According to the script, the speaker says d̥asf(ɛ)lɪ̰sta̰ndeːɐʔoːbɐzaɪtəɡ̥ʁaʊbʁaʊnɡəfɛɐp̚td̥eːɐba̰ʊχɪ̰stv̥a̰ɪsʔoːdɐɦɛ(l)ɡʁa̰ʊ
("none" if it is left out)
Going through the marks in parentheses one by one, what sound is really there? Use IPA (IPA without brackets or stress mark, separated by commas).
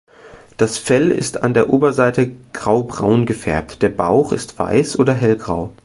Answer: ɛ, l